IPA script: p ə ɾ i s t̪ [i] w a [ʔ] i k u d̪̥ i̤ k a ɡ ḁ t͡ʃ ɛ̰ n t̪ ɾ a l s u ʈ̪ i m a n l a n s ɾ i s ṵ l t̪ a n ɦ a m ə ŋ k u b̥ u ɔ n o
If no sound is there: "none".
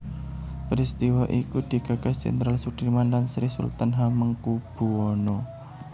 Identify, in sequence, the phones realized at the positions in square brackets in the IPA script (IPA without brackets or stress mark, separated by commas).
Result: i, ʔ